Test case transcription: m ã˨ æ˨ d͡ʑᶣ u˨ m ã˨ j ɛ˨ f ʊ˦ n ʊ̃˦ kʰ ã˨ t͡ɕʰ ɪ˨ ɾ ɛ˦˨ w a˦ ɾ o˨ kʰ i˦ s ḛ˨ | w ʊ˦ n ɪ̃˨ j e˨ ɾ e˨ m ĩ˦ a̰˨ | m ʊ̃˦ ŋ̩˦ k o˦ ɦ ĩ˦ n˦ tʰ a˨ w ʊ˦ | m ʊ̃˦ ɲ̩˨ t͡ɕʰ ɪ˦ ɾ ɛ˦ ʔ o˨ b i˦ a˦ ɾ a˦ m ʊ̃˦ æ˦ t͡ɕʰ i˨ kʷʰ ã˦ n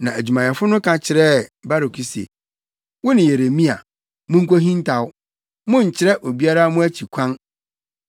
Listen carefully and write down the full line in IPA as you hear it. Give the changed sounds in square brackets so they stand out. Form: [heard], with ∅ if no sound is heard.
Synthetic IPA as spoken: [n] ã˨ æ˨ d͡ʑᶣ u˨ m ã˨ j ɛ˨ f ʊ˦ n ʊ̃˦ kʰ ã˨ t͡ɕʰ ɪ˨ ɾ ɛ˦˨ [b] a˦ ɾ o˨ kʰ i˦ s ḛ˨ | w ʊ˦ n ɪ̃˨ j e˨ ɾ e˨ m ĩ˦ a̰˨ | m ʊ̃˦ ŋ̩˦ k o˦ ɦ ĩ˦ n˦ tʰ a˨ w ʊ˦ | m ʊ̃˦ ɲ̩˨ t͡ɕʰ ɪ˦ ɾ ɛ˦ ʔ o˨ b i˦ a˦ ɾ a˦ m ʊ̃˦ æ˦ t͡ɕʰ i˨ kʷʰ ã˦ n